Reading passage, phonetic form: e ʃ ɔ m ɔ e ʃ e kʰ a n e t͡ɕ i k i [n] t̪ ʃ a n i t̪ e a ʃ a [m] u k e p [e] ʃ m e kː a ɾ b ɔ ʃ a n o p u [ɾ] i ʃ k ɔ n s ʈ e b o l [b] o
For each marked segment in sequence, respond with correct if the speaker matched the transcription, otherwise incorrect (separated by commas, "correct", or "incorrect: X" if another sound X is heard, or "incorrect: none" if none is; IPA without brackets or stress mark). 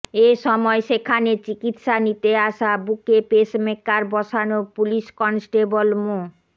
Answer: incorrect: none, incorrect: b, correct, incorrect: l, incorrect: m